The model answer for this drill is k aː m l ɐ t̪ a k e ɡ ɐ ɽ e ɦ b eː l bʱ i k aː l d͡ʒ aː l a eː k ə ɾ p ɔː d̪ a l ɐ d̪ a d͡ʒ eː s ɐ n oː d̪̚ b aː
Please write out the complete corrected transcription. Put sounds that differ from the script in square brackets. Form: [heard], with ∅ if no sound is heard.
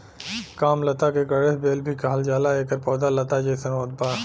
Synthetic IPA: k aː m l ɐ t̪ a k e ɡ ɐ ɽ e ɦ b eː l bʱ i k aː l d͡ʒ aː l a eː k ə ɾ p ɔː d̪ a l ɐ [t̪] a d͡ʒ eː s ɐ n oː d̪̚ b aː